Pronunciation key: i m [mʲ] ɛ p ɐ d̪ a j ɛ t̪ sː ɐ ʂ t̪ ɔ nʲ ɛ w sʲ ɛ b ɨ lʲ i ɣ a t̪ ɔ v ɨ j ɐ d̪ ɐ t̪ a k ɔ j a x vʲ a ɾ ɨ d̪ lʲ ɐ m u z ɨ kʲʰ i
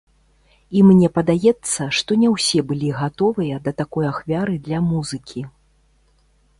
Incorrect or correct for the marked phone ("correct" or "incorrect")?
incorrect